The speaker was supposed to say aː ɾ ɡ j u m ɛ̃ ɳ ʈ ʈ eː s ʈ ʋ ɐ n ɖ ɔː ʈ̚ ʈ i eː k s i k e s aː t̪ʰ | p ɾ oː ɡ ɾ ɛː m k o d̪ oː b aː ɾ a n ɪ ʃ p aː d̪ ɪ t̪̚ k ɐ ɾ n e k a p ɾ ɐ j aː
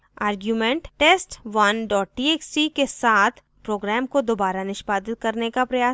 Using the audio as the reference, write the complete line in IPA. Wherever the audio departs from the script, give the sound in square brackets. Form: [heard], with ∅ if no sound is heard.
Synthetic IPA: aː ɾ ɡ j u m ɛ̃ ɳ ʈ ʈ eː s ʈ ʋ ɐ n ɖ ɔː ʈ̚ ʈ i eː k s i k e s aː t̪ʰ | p ɾ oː ɡ ɾ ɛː m k o d̪ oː b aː ɾ a n ɪ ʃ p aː d̪ ɪ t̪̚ k ɐ ɾ n e k a p ɾ ɐ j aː